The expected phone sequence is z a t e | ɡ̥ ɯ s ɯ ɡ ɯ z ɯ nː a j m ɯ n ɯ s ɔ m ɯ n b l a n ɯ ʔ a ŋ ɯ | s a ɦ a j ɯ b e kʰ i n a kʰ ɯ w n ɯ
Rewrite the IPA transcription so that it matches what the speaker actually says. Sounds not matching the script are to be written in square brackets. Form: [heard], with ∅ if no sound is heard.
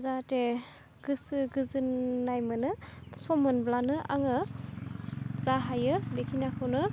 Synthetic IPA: z a t e | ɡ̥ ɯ s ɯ ɡ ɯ z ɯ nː a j m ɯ n ɯ s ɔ m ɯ n b l a n ɯ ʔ a ŋ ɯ | [z] a ɦ a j ɯ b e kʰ i n a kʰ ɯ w n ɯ